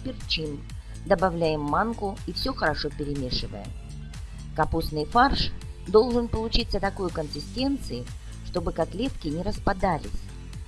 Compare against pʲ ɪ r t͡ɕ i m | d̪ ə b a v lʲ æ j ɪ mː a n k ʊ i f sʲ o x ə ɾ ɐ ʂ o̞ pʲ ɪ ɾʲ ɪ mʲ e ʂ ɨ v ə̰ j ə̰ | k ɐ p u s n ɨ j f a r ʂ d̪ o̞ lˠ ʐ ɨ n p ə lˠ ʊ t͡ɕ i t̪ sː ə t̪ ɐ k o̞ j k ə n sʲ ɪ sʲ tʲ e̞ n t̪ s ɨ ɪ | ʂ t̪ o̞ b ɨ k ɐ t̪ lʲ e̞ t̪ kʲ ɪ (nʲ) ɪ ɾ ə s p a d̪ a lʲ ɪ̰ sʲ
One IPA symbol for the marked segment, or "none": nʲ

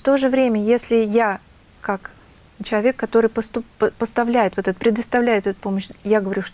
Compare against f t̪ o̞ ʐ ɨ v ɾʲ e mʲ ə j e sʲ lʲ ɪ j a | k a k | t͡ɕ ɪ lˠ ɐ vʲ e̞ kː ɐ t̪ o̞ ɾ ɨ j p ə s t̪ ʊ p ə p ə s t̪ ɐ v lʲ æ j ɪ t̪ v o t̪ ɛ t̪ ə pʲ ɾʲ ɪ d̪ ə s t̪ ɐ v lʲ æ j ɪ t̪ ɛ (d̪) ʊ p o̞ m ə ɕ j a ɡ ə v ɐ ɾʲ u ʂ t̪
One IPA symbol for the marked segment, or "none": t̪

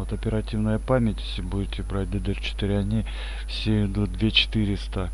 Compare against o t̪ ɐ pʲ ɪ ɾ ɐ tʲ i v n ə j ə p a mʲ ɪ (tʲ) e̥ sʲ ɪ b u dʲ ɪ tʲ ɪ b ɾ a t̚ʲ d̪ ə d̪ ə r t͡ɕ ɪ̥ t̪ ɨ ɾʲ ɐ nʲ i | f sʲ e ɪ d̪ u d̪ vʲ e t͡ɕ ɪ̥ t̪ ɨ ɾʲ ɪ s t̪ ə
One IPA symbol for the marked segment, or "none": tʲ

